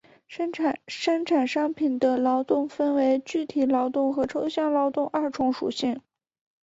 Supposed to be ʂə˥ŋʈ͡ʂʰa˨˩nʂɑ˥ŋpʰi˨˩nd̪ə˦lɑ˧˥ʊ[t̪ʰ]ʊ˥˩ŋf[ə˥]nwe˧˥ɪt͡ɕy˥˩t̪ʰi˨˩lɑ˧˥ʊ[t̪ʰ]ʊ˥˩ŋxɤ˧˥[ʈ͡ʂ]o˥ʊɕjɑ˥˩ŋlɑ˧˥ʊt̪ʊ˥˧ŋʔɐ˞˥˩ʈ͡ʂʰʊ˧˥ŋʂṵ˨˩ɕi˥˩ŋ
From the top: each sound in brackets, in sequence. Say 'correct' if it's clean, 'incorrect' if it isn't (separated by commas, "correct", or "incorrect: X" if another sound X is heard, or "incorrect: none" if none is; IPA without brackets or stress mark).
incorrect: t̪, correct, incorrect: t̪, incorrect: ʈ͡ʂʰ